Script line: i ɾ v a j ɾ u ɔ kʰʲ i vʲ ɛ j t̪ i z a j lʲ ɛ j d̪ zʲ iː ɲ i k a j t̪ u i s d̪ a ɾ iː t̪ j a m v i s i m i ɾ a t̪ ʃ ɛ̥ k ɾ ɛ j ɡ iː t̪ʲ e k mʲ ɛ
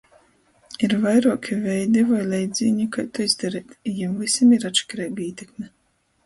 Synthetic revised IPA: i ɾ v a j ɾ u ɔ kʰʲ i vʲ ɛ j d̪ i v a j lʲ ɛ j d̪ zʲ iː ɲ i k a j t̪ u i z d̪ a ɾ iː t̪ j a m v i s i m i ɾ a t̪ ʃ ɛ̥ k ɾ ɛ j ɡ iː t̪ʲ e k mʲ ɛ